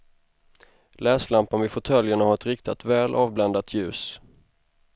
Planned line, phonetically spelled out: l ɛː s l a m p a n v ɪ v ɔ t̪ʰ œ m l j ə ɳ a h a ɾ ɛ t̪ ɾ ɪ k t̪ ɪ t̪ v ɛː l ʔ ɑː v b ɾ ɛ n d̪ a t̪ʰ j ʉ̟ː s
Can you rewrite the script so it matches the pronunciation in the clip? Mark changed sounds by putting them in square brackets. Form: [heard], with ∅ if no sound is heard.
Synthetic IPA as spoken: l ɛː s l a m p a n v ɪ [f] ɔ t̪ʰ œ [∅] l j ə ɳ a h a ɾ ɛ t̪ ɾ ɪ k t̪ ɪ t̪ v ɛː l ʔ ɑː v b [l] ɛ n d̪ a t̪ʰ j ʉ̟ː s